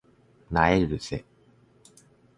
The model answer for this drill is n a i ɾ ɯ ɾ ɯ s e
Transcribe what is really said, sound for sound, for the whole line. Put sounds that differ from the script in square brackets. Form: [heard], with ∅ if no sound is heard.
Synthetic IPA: n a [e] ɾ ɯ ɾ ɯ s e